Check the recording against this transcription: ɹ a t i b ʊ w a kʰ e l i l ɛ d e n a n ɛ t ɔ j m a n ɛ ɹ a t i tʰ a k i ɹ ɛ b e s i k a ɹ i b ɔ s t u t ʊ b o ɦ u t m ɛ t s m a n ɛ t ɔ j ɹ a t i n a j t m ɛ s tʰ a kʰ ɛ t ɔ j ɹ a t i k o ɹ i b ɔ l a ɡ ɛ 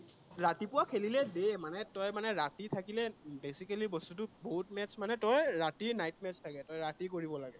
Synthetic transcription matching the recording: ɹ a t i p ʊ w a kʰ e l i l ɛ d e m a n ɛ t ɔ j m a n ɛ ɹ a t i tʰ a k i l ɛ b e s i k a l i b ɔ s t u t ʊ b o ɦ u t m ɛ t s m a n ɛ t ɔ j ɹ a t i n a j t m ɛ s tʰ a k ɛ t ɔ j ɹ a t i k o ɹ i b ɔ l a ɡ ɛ